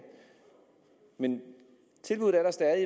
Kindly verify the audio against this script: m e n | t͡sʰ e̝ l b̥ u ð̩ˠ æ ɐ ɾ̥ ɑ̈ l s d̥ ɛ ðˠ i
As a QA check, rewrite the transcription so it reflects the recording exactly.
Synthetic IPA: m e n | t͡sʰ e̝ l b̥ u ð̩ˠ æ ɐ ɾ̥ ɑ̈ s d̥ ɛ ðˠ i